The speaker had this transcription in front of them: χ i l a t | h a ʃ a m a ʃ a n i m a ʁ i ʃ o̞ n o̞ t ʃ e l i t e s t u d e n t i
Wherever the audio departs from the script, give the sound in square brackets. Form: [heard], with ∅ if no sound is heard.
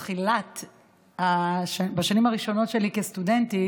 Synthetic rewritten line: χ i l a t | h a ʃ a [b] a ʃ a n i m a ʁ i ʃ o̞ n o̞ t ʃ e l i [k] e s t u d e n t i